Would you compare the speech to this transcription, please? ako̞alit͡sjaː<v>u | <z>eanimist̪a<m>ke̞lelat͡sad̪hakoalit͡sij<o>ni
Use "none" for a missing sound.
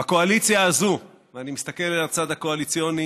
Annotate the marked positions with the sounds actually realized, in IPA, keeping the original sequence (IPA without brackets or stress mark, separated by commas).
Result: z, v, none, o